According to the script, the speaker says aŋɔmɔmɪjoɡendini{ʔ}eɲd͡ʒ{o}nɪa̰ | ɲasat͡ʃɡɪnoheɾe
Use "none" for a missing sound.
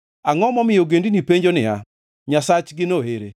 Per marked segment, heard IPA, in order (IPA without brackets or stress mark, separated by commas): p, o